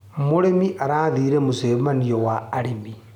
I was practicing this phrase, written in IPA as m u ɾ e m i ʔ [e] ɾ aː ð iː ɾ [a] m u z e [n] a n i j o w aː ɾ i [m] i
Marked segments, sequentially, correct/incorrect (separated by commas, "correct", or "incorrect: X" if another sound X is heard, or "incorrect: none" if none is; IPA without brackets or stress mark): incorrect: a, incorrect: e, incorrect: m, correct